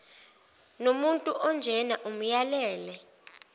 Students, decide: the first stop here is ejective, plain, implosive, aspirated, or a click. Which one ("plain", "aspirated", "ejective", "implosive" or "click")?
ejective